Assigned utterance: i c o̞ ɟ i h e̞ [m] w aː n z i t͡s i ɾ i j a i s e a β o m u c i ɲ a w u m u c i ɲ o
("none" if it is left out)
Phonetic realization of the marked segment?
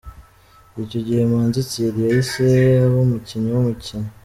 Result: m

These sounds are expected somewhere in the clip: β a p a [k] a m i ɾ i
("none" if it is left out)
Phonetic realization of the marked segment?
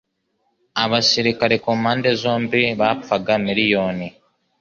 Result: ɡ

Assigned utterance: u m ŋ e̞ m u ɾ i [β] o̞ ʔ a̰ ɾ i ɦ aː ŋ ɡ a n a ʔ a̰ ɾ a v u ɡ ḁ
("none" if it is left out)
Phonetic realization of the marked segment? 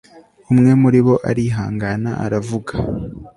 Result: β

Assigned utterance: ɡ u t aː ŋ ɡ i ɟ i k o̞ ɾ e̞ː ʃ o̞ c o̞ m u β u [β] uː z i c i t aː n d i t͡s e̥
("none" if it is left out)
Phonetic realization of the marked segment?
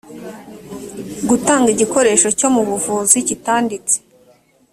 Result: v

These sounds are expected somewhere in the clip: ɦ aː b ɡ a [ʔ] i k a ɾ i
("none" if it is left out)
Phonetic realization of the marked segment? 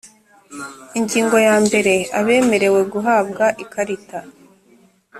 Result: ʔ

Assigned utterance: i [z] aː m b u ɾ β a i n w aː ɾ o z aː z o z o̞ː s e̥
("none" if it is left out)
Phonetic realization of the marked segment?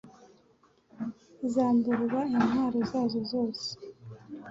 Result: z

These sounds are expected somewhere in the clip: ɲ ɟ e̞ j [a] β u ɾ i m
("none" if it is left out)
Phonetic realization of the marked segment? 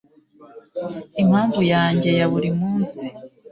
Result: a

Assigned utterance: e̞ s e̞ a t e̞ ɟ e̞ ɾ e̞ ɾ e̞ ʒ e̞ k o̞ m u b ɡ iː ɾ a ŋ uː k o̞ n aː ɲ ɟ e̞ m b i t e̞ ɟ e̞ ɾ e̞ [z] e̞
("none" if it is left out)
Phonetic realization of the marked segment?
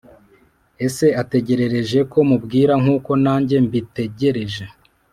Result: ʒ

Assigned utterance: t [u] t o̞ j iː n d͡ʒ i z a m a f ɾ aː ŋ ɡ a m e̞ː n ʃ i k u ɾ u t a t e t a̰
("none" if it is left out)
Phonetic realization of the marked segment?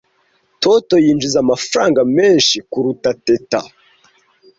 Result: o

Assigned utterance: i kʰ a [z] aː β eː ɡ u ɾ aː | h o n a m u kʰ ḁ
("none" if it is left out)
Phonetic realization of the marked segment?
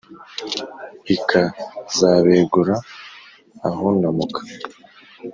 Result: z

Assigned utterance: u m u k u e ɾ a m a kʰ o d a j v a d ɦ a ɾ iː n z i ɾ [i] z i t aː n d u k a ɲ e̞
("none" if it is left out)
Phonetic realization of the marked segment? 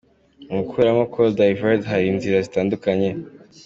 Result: a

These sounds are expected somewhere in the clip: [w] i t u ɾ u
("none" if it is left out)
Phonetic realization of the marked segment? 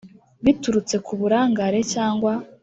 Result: β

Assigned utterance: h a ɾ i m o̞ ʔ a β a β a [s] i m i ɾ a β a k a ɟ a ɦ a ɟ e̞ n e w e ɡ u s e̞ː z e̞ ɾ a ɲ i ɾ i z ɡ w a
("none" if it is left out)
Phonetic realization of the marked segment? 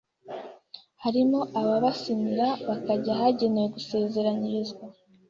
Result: s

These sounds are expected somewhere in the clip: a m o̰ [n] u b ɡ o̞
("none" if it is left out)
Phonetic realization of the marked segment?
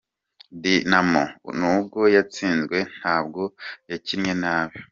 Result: n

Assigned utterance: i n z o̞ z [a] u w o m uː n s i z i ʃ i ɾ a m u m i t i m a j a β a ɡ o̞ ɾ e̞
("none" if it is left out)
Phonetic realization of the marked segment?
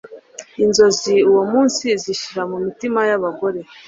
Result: i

